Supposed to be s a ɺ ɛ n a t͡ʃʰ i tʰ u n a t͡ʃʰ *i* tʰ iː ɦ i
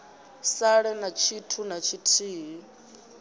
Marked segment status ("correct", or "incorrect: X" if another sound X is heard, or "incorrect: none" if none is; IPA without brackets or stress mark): correct